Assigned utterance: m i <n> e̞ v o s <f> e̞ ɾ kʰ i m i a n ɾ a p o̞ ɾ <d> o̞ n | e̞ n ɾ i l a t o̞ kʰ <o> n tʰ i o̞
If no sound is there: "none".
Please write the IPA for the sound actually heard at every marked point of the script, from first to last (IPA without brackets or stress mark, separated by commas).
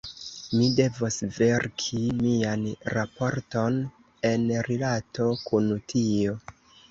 d, v, t, u